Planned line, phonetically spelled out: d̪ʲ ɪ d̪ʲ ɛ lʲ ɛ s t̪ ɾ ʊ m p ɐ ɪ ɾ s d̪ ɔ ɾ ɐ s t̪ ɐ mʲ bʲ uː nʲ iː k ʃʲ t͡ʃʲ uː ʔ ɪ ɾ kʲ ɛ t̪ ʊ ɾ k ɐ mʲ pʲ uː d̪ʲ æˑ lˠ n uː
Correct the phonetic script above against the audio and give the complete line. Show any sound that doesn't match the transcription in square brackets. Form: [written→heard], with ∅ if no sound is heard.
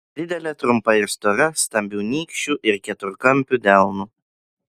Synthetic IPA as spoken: d̪ʲ ɪ d̪ʲ ɛ lʲ ɛ [s→∅] t̪ ɾ ʊ m p ɐ ɪ ɾ s [d̪→t̪] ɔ ɾ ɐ s t̪ ɐ mʲ bʲ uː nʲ iː k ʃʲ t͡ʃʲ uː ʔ ɪ ɾ kʲ ɛ t̪ ʊ ɾ k ɐ mʲ pʲ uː d̪ʲ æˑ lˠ n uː